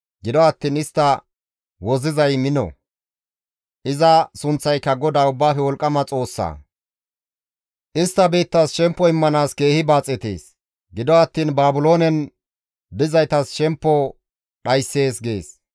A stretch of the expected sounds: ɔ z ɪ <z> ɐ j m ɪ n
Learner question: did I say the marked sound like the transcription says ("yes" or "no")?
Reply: yes